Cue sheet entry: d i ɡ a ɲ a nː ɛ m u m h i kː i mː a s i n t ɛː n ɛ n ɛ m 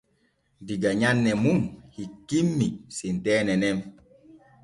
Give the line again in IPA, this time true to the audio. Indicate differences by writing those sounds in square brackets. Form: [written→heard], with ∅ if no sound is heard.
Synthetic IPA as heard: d i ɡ a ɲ a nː ɛ m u m h i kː i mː [a→i] s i n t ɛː n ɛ n ɛ m